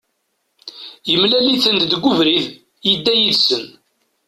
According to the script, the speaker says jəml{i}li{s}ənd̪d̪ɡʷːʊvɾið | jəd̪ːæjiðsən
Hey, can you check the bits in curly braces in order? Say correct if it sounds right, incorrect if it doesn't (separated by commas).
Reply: incorrect, incorrect